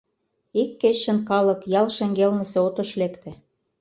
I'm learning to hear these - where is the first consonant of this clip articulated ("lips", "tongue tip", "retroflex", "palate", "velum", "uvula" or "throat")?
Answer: velum